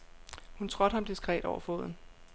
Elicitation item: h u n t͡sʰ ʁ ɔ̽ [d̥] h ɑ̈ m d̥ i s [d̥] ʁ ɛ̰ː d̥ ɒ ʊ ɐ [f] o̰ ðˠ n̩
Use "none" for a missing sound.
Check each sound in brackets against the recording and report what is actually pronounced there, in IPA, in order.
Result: d̥, ɡ̥, f

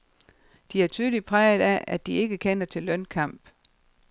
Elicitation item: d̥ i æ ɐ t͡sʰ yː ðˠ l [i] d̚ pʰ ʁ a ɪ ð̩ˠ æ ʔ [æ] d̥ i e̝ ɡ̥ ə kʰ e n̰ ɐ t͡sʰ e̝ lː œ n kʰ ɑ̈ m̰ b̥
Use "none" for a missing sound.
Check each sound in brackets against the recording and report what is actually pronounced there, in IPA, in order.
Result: i, æ

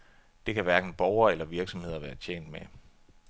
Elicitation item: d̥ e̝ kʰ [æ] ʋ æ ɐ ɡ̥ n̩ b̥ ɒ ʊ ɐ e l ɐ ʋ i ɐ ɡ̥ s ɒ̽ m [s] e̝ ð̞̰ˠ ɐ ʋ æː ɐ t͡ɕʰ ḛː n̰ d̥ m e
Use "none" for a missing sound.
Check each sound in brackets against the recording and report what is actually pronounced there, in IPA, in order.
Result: æ, h

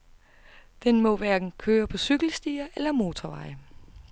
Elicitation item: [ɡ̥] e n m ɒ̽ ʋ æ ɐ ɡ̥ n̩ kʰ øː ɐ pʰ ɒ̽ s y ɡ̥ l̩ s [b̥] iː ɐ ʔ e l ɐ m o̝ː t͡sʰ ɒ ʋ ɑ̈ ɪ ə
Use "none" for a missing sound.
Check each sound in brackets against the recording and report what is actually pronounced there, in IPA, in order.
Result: d̥, d̥

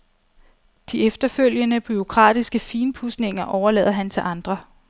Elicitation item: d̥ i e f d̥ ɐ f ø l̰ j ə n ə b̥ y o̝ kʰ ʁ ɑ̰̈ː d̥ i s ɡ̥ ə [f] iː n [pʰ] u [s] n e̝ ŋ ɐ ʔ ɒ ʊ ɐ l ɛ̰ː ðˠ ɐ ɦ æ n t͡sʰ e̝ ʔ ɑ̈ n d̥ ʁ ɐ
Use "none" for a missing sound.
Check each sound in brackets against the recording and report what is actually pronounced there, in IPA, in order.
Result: f, pʰ, s

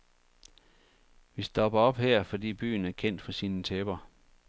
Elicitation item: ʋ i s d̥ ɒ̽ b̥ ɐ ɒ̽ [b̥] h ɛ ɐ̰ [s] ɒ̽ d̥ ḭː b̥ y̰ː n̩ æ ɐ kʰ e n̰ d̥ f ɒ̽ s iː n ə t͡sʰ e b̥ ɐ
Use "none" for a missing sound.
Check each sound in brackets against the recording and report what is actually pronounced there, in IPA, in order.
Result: b̥, f

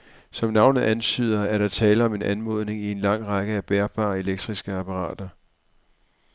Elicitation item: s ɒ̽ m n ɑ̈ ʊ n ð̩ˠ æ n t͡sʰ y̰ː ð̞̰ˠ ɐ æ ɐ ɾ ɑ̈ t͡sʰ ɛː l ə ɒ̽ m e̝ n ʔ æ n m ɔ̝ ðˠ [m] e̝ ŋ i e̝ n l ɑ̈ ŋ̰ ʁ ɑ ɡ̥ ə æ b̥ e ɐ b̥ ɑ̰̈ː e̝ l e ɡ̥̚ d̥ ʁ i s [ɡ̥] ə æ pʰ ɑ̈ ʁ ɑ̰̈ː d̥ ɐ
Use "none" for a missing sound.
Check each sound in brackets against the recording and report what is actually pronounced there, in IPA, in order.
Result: n, ɡ̥

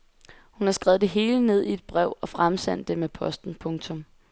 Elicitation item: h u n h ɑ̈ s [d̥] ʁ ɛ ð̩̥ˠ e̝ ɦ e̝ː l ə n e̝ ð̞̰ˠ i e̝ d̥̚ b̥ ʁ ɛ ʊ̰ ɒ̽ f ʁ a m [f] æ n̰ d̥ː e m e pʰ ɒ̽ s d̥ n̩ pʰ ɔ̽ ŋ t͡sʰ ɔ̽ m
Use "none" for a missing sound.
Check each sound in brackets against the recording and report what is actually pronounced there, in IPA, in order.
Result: ɡ̥, s

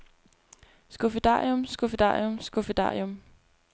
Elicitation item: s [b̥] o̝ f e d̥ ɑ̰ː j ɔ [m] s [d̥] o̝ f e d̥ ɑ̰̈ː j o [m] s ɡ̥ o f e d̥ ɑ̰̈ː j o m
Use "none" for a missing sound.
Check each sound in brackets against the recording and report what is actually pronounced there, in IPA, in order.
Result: ɡ̥, m, ɡ̥, m

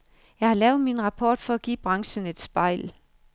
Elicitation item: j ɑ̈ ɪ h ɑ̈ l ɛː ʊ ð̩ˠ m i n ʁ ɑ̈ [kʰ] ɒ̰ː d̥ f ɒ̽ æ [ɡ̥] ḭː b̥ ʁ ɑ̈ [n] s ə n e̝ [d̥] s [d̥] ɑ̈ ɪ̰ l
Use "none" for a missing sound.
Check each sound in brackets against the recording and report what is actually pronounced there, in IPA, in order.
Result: pʰ, ɡ̥, ŋ, d̥, b̥

